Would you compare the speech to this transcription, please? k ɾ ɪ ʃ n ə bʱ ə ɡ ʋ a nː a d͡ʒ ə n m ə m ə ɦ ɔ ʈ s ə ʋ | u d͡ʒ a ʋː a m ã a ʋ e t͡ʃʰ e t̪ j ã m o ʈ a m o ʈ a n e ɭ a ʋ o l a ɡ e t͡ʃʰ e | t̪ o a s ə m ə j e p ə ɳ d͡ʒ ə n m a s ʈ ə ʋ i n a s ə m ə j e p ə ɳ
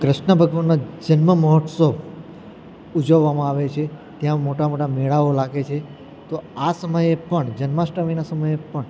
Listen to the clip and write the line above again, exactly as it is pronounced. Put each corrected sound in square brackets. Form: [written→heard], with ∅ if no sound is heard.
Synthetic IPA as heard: k ɾ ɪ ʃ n ə bʱ ə ɡ ʋ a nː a d͡ʒ ə n m ə m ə ɦ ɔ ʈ s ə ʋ | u d͡ʒ [a→ə] ʋː a m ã a ʋ e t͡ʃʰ e t̪ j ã m o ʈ a m o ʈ a [n→m] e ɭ a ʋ o l a ɡ e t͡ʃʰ e | t̪ o a s ə m ə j e p ə ɳ d͡ʒ ə n m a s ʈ ə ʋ i n a s ə m ə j e p ə ɳ